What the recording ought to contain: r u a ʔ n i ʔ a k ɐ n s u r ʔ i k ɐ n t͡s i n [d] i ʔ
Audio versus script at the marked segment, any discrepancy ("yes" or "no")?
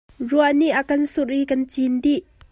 no